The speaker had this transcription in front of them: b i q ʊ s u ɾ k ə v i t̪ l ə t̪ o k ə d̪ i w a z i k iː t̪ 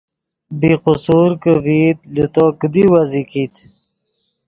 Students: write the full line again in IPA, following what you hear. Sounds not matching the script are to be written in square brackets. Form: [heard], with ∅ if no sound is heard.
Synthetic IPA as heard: b i q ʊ s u ɾ k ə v i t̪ l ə t̪ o k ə d̪ i w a z i k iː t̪